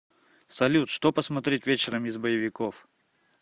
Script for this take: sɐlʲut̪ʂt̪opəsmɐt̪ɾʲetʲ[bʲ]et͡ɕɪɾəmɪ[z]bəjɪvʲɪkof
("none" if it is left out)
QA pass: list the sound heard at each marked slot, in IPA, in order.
vʲ, z

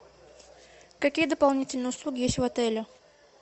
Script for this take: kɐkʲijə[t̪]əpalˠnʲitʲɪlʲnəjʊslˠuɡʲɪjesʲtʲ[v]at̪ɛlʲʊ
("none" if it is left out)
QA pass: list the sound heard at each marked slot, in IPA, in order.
d̪, v

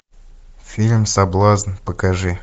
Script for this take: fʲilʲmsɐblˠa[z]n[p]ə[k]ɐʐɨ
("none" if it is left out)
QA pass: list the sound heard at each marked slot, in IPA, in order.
z, p, k

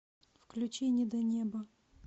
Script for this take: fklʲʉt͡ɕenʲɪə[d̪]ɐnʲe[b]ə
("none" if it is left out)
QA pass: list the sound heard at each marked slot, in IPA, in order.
d̪, b

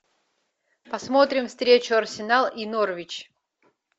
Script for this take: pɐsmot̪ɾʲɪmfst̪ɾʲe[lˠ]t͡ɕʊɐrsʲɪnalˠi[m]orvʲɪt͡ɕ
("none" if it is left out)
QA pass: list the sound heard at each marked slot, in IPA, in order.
none, n

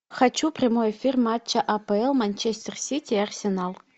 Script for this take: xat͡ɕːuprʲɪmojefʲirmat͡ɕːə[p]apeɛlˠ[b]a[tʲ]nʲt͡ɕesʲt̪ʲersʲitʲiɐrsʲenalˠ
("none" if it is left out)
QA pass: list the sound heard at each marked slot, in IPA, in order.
ʔ, m, none

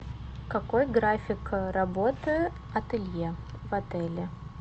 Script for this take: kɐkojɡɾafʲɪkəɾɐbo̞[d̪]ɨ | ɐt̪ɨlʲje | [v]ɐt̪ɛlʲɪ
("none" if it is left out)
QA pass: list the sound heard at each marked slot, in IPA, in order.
t̪, v

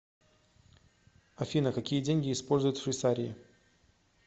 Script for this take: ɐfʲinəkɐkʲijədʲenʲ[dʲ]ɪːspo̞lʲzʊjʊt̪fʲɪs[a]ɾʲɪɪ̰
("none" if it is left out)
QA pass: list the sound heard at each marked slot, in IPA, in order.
ɡʲ, a

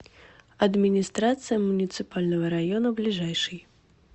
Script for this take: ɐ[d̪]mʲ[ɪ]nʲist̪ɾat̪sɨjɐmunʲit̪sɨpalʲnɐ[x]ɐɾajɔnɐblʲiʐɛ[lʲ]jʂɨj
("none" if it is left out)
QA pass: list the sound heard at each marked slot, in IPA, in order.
d̪, i, ɣ, none

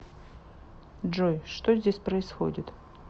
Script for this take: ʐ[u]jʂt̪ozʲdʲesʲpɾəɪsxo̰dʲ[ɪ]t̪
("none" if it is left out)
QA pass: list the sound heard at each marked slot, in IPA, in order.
o, ɪ

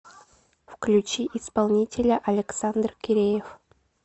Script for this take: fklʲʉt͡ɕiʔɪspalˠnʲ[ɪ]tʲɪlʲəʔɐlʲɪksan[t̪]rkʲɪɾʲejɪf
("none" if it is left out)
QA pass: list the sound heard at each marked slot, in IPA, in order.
i, d̪

